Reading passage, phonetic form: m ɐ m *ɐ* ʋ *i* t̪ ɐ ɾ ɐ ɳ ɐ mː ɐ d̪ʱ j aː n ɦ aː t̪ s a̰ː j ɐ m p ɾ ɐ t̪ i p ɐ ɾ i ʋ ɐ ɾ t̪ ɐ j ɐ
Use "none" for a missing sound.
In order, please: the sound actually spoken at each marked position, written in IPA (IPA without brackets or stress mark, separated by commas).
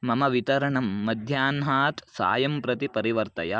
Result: ɐ, i